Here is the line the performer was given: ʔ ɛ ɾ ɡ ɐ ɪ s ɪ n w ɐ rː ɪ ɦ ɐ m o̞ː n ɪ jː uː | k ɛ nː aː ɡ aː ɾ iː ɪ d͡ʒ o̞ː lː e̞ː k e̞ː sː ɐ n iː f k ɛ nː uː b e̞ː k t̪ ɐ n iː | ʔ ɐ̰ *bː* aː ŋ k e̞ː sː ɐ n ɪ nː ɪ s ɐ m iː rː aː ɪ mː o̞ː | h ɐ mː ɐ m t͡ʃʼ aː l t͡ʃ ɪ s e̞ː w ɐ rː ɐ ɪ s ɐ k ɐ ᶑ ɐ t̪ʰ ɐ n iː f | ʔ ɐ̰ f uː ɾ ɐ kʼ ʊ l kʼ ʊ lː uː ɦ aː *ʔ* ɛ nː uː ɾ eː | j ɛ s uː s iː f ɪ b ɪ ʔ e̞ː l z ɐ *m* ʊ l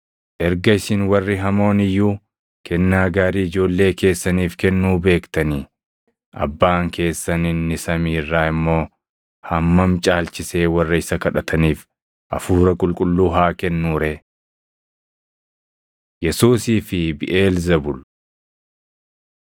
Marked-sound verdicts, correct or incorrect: correct, incorrect: k, incorrect: b

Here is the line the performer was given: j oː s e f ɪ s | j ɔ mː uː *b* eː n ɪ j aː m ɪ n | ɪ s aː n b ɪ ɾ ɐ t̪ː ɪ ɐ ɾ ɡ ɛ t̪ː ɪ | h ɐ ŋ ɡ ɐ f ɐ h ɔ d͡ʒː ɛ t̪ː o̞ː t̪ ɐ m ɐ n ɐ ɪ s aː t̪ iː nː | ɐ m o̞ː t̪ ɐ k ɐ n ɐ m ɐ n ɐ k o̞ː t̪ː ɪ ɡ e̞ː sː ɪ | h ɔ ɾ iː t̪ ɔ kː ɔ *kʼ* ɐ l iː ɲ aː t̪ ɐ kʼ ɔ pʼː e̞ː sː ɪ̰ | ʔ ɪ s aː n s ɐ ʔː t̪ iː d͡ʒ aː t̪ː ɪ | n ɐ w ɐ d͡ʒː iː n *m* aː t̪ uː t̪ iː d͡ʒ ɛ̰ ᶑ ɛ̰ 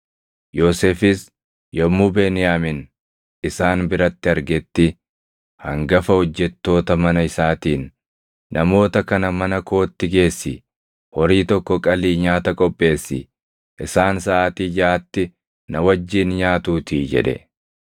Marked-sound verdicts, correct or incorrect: correct, correct, incorrect: ɲ

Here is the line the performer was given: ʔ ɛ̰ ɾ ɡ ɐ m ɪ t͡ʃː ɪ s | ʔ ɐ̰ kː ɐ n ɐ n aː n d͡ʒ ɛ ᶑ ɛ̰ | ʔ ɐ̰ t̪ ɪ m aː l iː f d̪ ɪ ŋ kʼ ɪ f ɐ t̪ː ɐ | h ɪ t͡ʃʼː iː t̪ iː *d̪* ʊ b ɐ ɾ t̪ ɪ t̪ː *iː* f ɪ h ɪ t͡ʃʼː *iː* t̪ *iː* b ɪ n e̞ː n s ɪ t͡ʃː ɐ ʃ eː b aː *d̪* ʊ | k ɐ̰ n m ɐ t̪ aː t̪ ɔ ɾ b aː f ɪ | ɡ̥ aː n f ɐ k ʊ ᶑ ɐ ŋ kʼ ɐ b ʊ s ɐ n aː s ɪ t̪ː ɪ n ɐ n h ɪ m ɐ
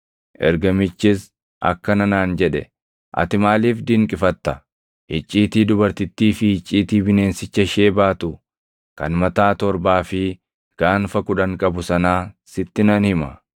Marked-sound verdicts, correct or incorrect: correct, correct, correct, correct, incorrect: t̪

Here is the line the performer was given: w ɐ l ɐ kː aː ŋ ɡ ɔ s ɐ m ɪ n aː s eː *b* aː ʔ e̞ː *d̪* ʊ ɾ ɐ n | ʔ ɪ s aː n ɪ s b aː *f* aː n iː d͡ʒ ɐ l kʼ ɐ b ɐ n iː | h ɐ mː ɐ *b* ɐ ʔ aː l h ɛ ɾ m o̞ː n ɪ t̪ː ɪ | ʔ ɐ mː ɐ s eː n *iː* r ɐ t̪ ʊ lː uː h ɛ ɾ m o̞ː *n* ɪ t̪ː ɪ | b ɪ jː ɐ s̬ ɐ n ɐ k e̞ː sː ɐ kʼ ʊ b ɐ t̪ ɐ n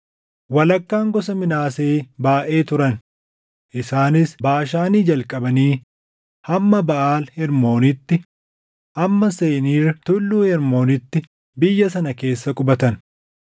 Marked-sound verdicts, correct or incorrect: correct, incorrect: t̪, incorrect: ʃ, correct, correct, correct

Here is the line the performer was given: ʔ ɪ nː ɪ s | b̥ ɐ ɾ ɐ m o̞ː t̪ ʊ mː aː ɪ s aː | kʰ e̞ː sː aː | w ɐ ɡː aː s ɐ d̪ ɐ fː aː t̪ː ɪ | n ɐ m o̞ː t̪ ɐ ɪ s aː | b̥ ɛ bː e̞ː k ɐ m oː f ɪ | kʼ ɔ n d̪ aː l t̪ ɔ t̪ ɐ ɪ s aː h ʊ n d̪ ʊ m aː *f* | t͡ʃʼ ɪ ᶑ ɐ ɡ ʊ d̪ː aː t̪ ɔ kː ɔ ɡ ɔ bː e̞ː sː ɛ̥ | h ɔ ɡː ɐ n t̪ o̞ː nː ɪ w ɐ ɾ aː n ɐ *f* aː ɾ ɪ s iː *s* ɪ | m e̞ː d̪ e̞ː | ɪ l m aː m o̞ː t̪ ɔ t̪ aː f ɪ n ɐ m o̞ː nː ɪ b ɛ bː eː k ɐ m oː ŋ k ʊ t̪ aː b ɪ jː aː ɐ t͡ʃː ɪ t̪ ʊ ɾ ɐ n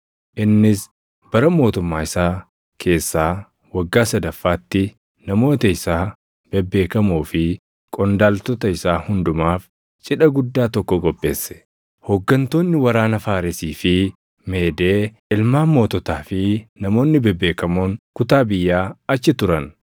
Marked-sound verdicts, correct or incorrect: correct, correct, incorrect: f

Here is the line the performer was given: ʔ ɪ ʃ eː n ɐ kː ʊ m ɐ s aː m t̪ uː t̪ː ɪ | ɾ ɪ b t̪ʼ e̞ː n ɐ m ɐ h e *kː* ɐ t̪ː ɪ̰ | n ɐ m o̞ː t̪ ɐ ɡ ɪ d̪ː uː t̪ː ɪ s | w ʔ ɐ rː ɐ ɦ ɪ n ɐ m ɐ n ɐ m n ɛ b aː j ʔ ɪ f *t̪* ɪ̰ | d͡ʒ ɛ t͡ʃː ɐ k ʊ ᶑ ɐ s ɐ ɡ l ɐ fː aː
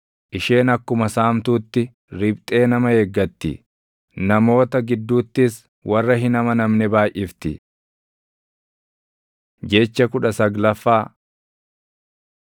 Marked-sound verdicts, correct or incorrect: incorrect: ɡː, correct

